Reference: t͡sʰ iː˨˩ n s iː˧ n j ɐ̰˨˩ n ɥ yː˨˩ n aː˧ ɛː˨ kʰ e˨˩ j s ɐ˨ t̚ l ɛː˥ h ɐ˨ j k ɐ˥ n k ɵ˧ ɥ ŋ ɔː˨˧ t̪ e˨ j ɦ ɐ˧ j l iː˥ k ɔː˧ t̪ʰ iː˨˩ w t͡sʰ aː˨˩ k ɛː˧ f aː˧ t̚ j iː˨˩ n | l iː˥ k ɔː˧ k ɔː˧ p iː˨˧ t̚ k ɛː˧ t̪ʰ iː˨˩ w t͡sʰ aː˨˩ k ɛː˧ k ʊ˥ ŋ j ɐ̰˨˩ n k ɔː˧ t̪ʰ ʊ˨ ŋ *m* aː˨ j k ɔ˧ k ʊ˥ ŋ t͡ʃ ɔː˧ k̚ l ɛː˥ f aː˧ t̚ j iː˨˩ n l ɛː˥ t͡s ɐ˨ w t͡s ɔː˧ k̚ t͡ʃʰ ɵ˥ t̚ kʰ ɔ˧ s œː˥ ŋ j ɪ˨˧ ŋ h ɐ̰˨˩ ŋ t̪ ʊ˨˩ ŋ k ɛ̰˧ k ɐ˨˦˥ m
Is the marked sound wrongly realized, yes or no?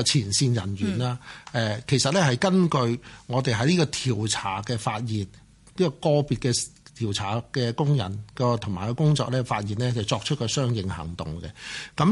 no